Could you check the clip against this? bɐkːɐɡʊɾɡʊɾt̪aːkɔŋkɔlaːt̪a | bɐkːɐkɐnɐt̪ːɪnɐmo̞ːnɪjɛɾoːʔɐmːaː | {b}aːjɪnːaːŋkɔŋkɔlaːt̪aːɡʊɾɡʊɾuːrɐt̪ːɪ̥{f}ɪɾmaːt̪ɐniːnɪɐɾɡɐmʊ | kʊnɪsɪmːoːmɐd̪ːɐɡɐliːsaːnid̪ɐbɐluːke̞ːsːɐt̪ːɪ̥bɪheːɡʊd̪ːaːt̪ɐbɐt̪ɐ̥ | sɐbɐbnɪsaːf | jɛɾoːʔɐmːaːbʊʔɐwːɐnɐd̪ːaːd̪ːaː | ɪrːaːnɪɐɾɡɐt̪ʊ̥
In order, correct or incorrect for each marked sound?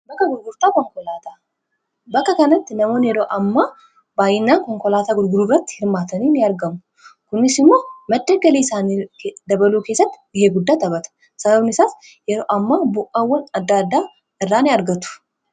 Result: correct, incorrect

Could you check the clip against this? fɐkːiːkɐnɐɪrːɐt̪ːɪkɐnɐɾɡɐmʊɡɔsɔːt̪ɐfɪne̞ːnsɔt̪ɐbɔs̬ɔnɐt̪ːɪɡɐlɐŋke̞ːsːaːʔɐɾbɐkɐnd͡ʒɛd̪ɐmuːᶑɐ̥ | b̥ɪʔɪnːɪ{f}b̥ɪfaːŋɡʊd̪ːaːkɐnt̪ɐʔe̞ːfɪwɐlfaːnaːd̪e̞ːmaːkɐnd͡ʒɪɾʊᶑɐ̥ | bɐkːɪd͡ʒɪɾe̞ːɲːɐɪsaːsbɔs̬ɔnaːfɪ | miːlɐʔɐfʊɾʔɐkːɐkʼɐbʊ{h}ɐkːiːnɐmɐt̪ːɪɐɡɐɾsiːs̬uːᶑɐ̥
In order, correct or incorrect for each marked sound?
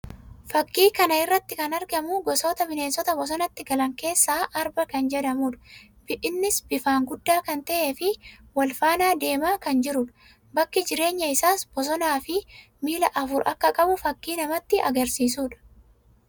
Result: incorrect, incorrect

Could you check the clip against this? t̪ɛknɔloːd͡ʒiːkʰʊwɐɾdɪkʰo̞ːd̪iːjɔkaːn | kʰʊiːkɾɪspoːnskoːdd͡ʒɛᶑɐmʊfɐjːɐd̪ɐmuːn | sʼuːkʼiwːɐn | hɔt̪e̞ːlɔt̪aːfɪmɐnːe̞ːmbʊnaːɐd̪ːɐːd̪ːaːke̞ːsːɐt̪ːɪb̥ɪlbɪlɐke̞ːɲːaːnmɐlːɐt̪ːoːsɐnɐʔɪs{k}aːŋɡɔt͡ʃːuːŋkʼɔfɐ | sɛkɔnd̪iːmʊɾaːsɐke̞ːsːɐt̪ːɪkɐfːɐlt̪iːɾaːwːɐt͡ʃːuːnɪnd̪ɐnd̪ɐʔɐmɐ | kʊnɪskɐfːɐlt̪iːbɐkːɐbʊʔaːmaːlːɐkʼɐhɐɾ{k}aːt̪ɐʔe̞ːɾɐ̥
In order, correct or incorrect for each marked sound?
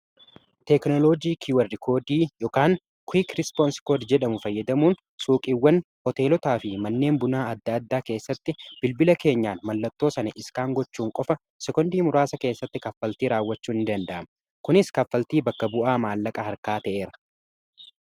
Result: correct, correct

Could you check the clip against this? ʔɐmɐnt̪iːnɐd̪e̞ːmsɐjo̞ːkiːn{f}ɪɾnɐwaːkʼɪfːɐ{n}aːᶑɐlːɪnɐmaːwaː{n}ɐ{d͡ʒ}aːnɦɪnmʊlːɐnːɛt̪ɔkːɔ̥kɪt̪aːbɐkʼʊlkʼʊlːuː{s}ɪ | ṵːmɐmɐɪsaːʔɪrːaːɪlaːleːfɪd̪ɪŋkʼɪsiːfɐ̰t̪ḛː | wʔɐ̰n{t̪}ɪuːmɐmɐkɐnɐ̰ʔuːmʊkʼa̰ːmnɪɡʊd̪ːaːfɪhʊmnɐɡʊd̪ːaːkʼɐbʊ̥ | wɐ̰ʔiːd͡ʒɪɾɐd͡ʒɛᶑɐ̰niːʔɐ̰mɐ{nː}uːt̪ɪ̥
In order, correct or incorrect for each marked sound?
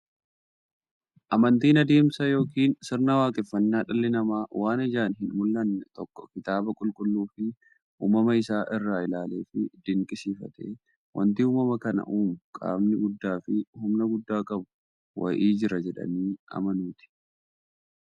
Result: incorrect, incorrect, correct, correct, incorrect, correct, incorrect

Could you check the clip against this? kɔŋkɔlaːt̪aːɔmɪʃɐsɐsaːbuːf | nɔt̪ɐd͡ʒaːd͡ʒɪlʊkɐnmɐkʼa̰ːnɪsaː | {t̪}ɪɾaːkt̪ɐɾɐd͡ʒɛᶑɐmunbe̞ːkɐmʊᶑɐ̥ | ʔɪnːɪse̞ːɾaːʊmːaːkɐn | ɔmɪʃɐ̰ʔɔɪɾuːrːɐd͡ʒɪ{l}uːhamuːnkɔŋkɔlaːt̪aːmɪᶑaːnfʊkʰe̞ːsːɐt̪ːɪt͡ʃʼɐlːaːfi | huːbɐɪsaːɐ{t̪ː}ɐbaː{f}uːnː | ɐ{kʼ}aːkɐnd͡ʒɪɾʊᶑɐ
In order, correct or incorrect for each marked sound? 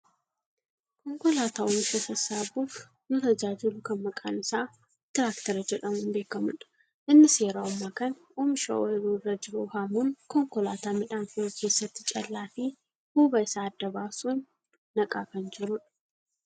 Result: correct, incorrect, incorrect, incorrect, correct

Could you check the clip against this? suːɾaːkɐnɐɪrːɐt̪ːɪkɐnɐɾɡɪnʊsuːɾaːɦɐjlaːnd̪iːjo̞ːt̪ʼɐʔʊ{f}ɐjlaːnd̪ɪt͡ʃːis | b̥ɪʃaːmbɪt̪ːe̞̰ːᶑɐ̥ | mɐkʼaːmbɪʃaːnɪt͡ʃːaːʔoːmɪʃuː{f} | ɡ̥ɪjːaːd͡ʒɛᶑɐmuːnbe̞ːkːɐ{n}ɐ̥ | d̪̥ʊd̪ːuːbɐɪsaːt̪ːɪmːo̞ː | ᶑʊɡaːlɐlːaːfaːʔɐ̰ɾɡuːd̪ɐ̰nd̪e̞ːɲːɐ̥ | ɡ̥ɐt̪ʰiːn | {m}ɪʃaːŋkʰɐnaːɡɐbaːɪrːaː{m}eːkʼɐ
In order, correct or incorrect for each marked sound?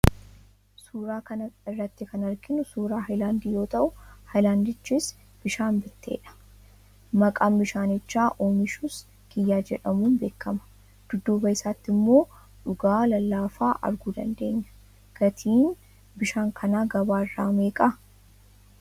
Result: incorrect, incorrect, incorrect, incorrect, correct

